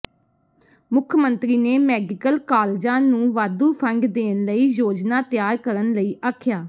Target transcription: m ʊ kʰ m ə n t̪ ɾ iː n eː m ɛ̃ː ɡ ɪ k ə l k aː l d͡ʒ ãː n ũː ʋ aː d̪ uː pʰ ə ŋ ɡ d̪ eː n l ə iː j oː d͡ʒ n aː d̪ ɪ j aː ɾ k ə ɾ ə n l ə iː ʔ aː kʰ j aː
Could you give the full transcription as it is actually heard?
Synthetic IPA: m ʊ kʰ m ə n t̪ ɾ iː n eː m ɛː ɡ ɪ k ə l k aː l d͡ʒ ãː n ũː ʋ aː d̪ uː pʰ ə ŋ ɡ d̪ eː n l ə iː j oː d͡ʒ n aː t̪ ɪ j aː ɾ k ə ɾ ə n l ə iː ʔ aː kʰ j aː